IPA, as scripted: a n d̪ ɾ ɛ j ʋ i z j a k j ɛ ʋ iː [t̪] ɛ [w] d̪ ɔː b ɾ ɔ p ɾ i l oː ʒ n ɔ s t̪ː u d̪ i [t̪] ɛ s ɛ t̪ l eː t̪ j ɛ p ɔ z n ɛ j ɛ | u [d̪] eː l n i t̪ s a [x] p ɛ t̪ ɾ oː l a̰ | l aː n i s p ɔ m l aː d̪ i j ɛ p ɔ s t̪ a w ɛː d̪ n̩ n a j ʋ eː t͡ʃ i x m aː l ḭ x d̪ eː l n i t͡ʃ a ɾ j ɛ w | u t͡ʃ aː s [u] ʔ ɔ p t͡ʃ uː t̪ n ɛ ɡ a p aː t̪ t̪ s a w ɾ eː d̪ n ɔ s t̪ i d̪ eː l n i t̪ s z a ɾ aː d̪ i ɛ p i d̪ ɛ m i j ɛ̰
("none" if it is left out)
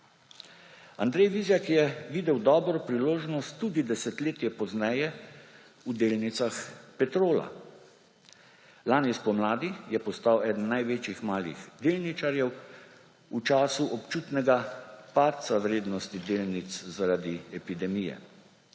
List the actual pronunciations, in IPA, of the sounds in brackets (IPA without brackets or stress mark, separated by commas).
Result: d̪, w, d̪, d̪, x, u